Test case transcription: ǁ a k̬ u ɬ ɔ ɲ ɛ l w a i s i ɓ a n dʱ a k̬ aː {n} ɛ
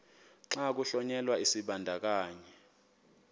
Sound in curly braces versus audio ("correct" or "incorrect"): incorrect